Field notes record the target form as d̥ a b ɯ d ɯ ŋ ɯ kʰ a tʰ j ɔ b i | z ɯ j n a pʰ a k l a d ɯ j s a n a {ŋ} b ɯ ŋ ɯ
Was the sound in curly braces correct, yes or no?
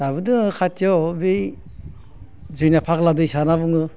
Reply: no